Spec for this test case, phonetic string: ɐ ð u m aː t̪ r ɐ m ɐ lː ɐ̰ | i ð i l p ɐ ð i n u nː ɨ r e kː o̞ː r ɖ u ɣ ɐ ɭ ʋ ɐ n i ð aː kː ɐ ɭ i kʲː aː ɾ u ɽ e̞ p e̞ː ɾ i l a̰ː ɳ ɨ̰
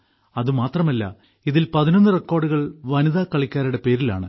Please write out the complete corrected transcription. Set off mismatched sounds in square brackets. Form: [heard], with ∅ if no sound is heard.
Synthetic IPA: ɐ ð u m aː t̪ r ɐ m ɐ lː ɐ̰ | i ð i l p ɐ ð i n [o] nː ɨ r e kː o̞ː r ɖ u ɣ ɐ ɭ ʋ ɐ n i ð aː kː ɐ ɭ i kʲː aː ɾ u ɽ e̞ p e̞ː ɾ i l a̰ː ɳ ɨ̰